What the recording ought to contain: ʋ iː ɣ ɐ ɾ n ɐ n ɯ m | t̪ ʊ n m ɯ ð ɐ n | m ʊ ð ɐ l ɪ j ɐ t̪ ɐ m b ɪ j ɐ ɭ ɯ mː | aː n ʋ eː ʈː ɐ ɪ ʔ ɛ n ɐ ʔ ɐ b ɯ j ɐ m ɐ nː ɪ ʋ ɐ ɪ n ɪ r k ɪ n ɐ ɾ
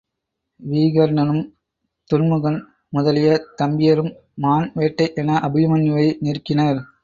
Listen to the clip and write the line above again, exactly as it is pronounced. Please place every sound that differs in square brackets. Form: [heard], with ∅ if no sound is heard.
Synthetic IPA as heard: ʋ iː ɣ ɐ ɾ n ɐ n ɯ m | t̪ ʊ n m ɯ [ɣ] ɐ n | m ʊ ð ɐ l ɪ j ɐ t̪ ɐ m b ɪ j ɐ [ɾ] ɯ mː | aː n ʋ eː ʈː ɐ ɪ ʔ ɛ n ɐ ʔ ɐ b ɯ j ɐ m ɐ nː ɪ ʋ ɐ ɪ n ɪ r k ɪ n ɐ ɾ

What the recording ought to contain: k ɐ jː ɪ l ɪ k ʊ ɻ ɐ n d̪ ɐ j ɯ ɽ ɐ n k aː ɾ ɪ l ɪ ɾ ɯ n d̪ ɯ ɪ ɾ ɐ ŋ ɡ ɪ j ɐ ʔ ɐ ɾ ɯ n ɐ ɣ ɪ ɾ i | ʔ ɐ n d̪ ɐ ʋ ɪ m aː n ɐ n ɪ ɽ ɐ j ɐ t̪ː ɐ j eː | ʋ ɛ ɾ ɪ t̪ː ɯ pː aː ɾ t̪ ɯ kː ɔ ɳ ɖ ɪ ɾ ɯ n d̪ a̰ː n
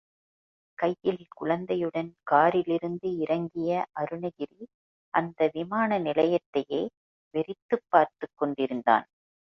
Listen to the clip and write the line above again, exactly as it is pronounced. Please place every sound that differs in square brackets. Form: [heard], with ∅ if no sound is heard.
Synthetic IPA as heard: k ɐ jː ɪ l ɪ k ʊ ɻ ɐ n d̪ ɐ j ɯ ɽ ɐ n k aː ɾ ɪ l ɪ ɾ ɯ n d̪ ɯ ɪ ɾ ɐ ŋ ɡ ɪ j ɐ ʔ ɐ ɾ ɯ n ɐ ɣ ɪ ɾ i | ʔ ɐ n d̪ ɐ ʋ ɪ m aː n ɐ n ɪ [l] ɐ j ɐ t̪ː ɐ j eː | ʋ ɛ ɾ ɪ t̪ː ɯ pː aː ɾ t̪ ɯ kː ɔ ɳ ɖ ɪ ɾ ɯ n d̪ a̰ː n

